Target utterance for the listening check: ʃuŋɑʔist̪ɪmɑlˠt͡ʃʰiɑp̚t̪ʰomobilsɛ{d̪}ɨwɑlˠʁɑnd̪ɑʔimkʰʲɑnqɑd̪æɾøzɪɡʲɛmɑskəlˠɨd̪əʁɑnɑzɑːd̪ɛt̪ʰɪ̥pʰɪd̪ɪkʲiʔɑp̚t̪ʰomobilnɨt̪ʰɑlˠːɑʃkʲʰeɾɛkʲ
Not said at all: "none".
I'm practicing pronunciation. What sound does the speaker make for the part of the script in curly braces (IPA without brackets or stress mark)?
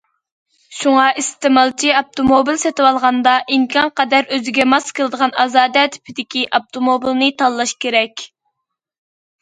t̪